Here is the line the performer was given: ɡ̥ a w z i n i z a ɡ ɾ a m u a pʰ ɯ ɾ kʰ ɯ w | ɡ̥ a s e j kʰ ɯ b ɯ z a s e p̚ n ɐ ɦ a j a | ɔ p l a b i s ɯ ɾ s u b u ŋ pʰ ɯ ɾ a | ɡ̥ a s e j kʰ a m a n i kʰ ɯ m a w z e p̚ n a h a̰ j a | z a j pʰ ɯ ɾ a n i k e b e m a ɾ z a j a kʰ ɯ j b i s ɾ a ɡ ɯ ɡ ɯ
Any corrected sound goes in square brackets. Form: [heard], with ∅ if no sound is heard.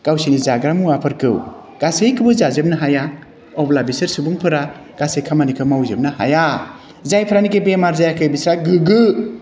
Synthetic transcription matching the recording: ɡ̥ a w [s] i n i z a ɡ ɾ a m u a pʰ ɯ ɾ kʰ ɯ w | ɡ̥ a s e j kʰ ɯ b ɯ z a [z] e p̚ n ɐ ɦ a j a | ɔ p l a b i s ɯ ɾ s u b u ŋ pʰ ɯ ɾ a | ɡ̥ a s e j kʰ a m a n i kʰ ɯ m a w z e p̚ n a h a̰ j a | z a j pʰ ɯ ɾ a n i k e b e m a ɾ z a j a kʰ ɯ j b i s ɾ a ɡ ɯ ɡ ɯ

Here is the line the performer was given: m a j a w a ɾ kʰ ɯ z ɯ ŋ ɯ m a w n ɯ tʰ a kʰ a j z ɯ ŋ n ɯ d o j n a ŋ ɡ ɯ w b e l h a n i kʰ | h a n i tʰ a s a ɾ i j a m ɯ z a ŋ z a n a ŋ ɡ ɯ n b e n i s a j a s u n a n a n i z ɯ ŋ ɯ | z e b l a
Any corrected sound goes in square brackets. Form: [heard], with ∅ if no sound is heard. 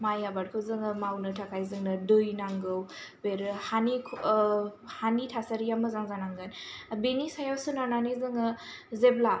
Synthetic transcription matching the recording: m a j a [b] a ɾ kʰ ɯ z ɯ ŋ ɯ m a w n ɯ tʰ a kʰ a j z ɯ ŋ n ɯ d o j n a ŋ ɡ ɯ w b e [ɾ] h a n i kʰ | h a n i tʰ a s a ɾ i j a m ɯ z a ŋ z a n a ŋ ɡ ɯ n b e n i s a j a s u n a n a n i z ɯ ŋ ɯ | z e b l a

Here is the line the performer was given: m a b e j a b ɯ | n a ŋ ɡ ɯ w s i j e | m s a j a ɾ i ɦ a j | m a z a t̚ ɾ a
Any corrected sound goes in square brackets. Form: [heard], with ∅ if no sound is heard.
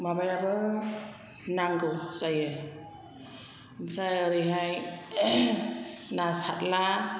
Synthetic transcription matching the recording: m a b [a] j a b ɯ | n a ŋ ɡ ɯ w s [a] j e | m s a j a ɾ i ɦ a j | [n] a [s] a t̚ [l] a

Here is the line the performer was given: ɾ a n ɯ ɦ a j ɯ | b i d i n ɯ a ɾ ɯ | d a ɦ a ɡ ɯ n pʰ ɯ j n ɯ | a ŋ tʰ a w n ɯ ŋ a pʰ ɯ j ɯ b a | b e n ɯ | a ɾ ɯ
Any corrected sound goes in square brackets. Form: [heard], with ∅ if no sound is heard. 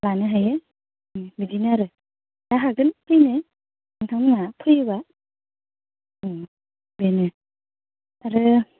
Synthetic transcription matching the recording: [l] a n ɯ ɦ a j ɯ | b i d i n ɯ a ɾ ɯ | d a ɦ a ɡ ɯ n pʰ ɯ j n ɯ | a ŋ tʰ a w n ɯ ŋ a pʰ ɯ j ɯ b a | b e n ɯ | a ɾ ɯ

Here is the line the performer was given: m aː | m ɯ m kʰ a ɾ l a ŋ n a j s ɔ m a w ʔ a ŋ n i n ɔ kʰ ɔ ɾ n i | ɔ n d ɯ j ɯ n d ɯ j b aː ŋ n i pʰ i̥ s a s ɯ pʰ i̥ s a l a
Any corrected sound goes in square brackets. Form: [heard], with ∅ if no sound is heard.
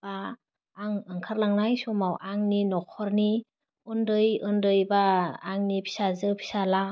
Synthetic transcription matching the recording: [b] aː | [ŋ] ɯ [ŋ] kʰ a ɾ l a ŋ n a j s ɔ m a w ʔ a ŋ n i n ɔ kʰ ɔ ɾ n i | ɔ n d ɯ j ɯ n d ɯ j b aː ŋ n i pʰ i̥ s a [z] ɯ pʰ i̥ s a l a

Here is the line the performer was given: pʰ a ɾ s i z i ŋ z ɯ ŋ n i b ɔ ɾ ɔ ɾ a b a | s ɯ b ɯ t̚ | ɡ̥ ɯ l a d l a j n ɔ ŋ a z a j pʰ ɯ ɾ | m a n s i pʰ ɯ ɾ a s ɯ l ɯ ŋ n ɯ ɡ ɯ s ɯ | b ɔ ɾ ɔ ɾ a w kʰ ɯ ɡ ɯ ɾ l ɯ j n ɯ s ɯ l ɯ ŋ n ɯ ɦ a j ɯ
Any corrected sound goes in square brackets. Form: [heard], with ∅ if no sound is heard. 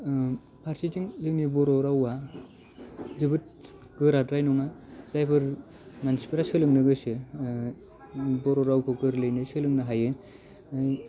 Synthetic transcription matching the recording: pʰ a ɾ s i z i ŋ z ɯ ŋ n i b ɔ ɾ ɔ ɾ a [w] a | [z] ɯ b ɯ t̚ | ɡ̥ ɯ [ɾ] a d [ɾ] a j n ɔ ŋ a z a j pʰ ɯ ɾ | m a n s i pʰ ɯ ɾ a s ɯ l ɯ ŋ n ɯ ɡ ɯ s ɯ | b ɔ ɾ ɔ ɾ a w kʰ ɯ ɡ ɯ ɾ l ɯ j n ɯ s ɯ l ɯ ŋ n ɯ ɦ a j ɯ

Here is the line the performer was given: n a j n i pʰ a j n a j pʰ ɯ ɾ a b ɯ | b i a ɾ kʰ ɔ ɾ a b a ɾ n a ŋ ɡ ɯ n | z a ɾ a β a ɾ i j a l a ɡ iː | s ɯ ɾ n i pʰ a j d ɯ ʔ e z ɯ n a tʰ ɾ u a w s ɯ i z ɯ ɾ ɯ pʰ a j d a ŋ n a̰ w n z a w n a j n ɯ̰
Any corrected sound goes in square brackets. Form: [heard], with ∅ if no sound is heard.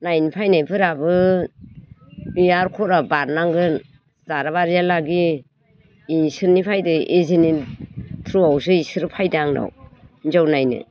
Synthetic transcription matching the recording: n a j n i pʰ a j n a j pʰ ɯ ɾ a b ɯ | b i a ɾ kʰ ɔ ɾ a b a ɾ n a ŋ ɡ ɯ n | z a ɾ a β a ɾ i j a l a ɡ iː | s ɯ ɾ n i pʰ a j d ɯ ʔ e z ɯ n [i] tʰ ɾ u a w s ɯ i [s] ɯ ɾ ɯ pʰ a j d a ŋ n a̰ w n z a w n a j n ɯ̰

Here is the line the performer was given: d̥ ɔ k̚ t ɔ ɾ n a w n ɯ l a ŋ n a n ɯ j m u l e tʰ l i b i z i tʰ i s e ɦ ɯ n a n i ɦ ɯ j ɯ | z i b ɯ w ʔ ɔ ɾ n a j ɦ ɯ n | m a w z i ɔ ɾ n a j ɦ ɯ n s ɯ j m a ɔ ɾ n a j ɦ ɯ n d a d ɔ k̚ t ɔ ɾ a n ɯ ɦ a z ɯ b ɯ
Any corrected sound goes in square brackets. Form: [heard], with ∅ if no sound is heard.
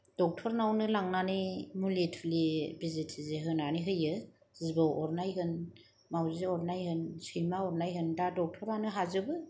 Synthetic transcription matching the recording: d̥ ɔ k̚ [tʰ] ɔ ɾ n a w n ɯ l a ŋ n a n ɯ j m u l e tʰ l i b i z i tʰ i [z] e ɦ ɯ n a n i ɦ ɯ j ɯ | z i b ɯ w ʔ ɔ ɾ n a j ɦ ɯ n | m a w z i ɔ ɾ n a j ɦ ɯ n s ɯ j m a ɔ ɾ n a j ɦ ɯ n d a d ɔ k̚ [tʰ] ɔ ɾ a n ɯ ɦ a z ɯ b ɯ

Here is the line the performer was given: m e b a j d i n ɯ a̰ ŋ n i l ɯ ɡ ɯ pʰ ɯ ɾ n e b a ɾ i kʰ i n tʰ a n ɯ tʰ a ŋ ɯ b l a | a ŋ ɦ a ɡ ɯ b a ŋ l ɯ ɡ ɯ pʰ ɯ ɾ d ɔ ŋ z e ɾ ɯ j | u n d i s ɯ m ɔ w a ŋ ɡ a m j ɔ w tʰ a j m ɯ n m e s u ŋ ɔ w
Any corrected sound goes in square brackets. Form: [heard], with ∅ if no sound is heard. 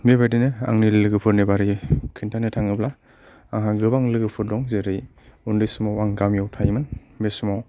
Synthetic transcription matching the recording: m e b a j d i n ɯ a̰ ŋ n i l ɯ ɡ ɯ pʰ ɯ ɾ n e b a ɾ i kʰ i n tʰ a n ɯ tʰ a ŋ ɯ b l a | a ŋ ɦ a ɡ ɯ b a ŋ l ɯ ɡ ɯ pʰ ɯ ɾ d ɔ ŋ z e ɾ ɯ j | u n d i s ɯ m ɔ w a ŋ ɡ a m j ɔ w tʰ a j m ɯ n m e s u [m] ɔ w

